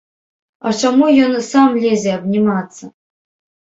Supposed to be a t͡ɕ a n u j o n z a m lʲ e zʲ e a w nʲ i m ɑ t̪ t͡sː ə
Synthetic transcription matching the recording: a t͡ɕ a m u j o n s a m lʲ e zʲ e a b nʲ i m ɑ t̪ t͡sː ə